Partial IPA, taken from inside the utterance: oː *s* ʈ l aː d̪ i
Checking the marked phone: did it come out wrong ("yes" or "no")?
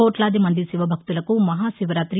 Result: yes